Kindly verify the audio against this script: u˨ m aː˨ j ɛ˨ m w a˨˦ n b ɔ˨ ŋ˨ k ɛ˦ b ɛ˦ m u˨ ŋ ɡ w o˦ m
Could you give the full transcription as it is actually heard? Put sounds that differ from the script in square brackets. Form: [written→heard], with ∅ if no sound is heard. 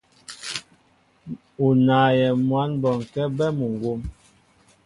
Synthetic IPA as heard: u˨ [m→n] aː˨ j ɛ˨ m w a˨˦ n b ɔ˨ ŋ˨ k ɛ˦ b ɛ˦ m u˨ ŋ ɡ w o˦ m